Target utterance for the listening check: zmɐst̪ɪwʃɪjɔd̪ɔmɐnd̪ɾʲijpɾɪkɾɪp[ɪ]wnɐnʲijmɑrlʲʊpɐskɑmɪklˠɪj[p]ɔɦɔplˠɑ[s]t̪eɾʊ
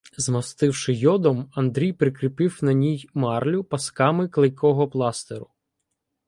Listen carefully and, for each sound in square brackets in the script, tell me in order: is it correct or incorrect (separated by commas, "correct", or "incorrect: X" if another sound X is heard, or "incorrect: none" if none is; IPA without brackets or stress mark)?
correct, incorrect: k, correct